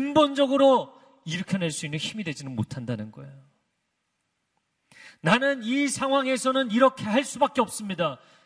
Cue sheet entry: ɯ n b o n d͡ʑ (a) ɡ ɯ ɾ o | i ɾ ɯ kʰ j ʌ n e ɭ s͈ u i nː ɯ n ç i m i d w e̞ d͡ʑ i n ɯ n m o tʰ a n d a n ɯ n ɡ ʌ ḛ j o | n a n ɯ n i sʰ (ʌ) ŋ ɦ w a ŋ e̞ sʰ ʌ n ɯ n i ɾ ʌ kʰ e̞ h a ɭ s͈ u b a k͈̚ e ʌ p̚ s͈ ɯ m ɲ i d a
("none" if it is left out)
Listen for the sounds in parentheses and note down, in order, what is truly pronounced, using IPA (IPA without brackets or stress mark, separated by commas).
ʌ, a